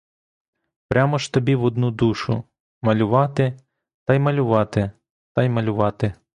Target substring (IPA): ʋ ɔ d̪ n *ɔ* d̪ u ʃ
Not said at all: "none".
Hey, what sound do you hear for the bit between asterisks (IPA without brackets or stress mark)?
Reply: u